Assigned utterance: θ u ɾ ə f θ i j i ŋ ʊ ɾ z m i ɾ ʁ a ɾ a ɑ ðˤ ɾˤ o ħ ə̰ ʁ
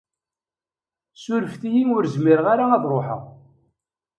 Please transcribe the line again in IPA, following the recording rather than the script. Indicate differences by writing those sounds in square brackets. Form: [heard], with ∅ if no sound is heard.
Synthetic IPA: [s] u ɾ ə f θ i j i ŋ ʊ ɾ z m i ɾ ʁ a ɾ a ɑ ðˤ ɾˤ o ħ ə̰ ʁ